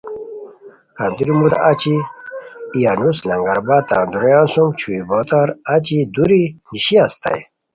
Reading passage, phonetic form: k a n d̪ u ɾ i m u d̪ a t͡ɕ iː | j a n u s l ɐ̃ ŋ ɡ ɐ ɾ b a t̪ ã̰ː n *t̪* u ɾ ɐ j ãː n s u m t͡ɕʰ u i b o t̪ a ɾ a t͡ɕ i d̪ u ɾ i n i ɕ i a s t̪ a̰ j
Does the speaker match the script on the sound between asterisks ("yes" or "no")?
no